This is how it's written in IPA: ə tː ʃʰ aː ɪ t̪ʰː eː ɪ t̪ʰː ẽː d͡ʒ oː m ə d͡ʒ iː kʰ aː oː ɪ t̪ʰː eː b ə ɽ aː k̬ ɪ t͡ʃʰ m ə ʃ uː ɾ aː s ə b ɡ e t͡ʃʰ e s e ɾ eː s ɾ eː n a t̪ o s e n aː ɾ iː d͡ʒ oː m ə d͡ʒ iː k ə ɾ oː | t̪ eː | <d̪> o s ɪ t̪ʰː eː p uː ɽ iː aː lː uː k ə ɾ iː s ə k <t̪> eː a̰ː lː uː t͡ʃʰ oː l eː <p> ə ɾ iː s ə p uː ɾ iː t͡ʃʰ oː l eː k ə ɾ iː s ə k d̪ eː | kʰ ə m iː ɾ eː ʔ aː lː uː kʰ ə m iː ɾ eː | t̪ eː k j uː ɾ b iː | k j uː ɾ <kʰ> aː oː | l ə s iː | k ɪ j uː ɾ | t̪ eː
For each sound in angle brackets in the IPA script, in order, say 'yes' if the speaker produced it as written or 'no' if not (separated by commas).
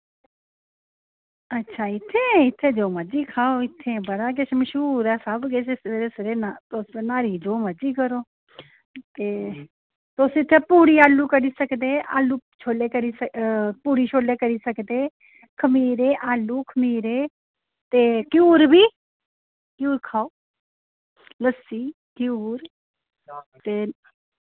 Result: no, no, no, yes